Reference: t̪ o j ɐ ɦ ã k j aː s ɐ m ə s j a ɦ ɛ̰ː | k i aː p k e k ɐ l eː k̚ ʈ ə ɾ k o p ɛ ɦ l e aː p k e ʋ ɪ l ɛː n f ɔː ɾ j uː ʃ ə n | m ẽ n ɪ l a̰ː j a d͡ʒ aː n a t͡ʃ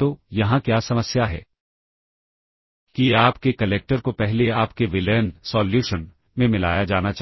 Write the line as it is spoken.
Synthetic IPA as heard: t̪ o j ɐ ɦ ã k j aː s ɐ m ə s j a ɦ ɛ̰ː | k i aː p k e k ɐ l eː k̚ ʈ ə ɾ k o p ɛ ɦ l e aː p k e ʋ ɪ l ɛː n s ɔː l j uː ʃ ə n | m ẽ m ɪ l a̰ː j a d͡ʒ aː n a t͡ʃ